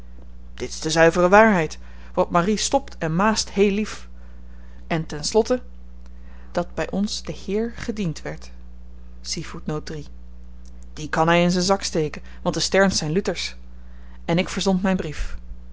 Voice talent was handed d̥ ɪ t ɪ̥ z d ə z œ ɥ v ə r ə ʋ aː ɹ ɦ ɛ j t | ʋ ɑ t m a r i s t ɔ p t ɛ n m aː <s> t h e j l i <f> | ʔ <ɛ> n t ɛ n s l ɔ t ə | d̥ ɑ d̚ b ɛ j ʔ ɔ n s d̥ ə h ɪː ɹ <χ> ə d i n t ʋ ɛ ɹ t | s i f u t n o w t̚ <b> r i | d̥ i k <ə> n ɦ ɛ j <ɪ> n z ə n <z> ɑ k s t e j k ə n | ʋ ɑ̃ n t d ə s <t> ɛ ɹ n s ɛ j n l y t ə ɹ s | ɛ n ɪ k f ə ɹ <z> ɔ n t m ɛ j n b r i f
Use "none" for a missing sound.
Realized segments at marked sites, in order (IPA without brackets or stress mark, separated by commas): s, f, ɛ, χ, d, ɑ, ɪ, z, t, z